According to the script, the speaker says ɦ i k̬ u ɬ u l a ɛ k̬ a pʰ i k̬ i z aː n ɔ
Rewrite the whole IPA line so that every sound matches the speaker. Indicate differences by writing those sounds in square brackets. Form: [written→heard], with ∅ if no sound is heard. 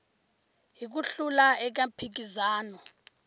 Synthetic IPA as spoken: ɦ i k̬ u ɬ u l a ɛ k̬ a pʰ i k̬ i z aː n ɔ